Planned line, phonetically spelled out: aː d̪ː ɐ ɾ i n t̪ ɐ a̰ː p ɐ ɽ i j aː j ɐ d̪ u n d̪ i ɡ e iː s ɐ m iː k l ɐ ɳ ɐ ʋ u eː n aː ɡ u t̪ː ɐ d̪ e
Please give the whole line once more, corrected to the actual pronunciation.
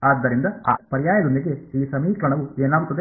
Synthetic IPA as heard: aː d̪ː ɐ ɾ i n d̪ ɐ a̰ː p ɐ ɾ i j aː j ɐ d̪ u n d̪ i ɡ e iː s ɐ m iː k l ɐ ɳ ɐ ʋ u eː n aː ɡ u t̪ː ɐ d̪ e